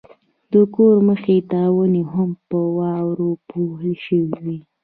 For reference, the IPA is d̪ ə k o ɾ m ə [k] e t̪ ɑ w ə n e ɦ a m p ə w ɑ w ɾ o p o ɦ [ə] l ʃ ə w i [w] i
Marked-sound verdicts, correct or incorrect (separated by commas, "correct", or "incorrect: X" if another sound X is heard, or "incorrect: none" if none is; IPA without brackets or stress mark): incorrect: x, correct, correct